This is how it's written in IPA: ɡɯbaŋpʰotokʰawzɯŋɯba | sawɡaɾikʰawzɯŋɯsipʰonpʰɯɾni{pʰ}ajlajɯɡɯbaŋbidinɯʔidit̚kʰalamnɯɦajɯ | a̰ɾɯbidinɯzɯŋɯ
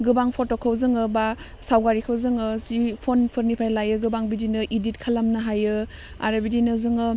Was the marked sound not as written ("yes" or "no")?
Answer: no